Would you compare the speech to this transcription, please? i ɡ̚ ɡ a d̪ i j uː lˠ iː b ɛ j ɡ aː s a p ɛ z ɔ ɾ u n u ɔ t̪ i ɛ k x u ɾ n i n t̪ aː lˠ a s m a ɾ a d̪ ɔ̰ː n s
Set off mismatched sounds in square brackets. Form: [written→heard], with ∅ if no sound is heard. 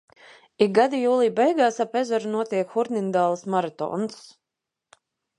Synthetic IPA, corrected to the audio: i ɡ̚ ɡ a d̪ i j uː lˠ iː b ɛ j ɡ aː s a p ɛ z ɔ ɾ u n u ɔ t̪ i ɛ k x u ɾ n i n [t̪→d̪] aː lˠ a s m a ɾ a [d̪→t̪] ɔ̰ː n s

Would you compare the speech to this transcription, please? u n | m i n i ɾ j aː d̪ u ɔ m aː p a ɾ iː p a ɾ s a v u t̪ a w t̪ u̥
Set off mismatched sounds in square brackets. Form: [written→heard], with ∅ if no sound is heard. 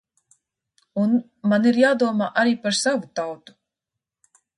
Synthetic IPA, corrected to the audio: u n | m [i→a] n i ɾ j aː d̪ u ɔ m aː [p→ʔ] a ɾ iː p a ɾ s a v u t̪ a w t̪ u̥

